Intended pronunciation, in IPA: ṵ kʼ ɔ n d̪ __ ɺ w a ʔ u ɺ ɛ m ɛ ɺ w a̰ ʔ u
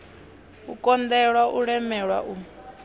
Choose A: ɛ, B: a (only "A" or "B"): A